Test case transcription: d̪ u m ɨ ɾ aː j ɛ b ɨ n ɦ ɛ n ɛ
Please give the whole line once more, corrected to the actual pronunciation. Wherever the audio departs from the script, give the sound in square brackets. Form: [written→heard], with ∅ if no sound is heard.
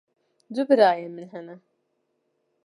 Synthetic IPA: d̪ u [m→b] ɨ ɾ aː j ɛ [b→m] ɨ n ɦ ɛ n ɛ